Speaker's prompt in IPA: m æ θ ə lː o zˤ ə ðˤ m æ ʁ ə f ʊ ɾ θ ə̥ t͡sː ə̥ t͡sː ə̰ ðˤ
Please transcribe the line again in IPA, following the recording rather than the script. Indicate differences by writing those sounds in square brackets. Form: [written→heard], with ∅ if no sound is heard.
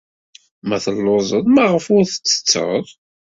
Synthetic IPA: m æ θ ə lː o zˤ ə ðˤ m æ ʁ ə f ʊ ɾ θ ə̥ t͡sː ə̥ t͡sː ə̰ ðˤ